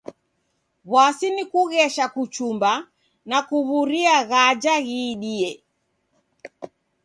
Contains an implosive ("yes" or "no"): yes